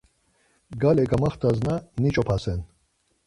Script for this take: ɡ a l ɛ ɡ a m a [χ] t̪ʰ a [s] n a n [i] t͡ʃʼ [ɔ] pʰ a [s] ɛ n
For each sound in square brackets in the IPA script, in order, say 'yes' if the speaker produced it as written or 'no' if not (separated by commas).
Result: yes, no, yes, yes, yes